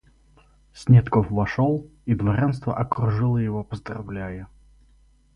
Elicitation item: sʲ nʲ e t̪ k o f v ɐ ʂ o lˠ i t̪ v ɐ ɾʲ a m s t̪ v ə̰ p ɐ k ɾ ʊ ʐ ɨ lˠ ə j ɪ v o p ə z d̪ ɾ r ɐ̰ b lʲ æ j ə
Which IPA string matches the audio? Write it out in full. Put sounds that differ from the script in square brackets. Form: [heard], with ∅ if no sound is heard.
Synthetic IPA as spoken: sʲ nʲ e t̪ k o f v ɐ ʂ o lˠ i [d̪] v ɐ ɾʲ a [n] s t̪ v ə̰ [ʔ] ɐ k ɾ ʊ ʐ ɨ lˠ ə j ɪ v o p ə z d̪ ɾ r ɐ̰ [v] lʲ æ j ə